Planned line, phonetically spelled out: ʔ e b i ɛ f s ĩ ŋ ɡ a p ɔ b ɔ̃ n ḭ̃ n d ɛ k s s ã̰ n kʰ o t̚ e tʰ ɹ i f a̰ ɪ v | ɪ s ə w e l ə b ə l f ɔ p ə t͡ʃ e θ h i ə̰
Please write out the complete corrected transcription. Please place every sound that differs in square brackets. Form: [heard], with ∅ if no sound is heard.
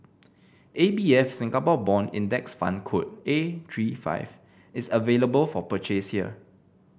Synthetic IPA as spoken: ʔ e b i ɛ f s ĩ ŋ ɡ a p ɔ b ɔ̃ n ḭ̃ n d ɛ k s [f] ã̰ n kʰ o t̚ e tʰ ɹ i f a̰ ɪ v | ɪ s ə [v] e l ə b ə l f ɔ p ə t͡ʃ e [s] h i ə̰